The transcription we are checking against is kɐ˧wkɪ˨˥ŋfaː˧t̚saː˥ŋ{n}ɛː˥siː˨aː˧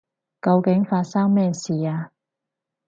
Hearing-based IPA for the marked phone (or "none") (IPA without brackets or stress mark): m